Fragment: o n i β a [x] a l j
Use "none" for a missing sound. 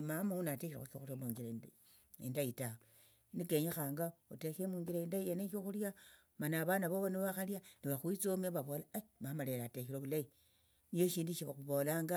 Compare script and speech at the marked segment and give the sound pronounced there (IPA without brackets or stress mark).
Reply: x